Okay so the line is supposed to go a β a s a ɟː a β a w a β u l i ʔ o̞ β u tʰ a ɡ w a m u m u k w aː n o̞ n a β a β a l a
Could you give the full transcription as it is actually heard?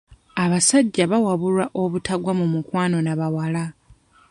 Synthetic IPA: a β a s a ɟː a β a w a β u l a ʔ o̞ β u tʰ a ɡ w a m u m u k w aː n o̞ n a β a w a l a